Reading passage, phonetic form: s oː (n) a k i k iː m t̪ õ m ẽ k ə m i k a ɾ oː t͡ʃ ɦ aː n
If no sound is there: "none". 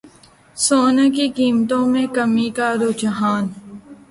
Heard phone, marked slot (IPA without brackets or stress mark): n